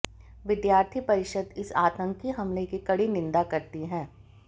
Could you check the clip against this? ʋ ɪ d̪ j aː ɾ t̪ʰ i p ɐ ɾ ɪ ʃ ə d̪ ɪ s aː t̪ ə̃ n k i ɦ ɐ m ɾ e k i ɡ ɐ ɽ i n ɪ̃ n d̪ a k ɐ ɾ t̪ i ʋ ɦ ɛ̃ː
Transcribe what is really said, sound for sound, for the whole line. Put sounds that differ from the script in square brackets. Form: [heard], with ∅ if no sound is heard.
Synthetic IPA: ʋ ɪ d̪ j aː ɾ t̪ʰ i p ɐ ɾ ɪ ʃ ə d̪ ɪ s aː t̪ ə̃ [ŋ] k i ɦ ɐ m [l] e k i [k] ɐ ɽ i n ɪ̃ n d̪ a k ɐ ɾ t̪ i [∅] ɦ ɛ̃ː